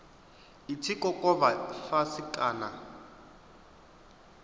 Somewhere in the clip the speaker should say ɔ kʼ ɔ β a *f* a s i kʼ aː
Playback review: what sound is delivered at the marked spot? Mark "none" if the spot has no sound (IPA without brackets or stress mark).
f